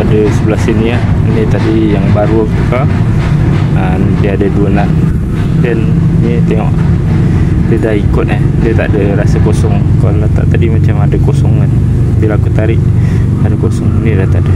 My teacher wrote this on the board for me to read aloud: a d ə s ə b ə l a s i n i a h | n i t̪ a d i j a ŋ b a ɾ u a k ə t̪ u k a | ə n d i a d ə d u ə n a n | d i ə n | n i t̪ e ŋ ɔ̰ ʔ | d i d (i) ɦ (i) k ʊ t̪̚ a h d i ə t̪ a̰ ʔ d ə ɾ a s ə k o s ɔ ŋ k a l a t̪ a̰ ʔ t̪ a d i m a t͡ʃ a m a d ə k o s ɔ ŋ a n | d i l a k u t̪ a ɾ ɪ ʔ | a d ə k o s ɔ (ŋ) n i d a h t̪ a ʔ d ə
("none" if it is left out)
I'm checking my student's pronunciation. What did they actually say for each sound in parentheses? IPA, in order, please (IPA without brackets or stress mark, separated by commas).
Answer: a, i, ŋ